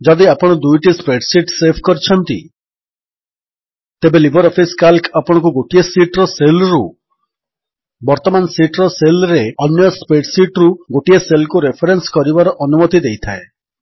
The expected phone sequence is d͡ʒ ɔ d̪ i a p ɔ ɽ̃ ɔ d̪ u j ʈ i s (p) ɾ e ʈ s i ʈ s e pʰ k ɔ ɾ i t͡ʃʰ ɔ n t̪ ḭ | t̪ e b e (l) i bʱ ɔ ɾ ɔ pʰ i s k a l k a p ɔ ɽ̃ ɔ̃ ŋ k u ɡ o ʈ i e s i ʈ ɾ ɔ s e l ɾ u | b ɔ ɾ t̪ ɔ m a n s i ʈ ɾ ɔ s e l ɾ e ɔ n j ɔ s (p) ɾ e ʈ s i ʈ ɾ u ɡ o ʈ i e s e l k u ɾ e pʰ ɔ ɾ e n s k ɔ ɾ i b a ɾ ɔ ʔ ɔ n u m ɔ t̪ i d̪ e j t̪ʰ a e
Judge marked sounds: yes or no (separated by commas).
yes, yes, yes